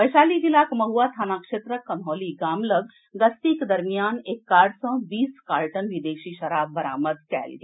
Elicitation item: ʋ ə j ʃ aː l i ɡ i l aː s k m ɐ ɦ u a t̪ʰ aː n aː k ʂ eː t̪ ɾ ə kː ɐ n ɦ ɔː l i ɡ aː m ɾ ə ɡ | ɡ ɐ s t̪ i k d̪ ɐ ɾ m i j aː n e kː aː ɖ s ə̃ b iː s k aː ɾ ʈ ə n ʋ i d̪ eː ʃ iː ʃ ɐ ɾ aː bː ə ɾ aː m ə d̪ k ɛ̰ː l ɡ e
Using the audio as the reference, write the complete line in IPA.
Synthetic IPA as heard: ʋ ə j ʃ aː l i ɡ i l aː k m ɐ ɦ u a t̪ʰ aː n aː k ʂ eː t̪ ɾ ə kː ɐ n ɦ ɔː l i ɡ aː m l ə ɡ | ɡ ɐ s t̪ i k d̪ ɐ ɾ m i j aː n e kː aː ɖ s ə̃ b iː s k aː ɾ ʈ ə n ʋ i d̪ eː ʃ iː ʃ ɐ ɾ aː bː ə ɾ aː m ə d̪ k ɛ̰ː l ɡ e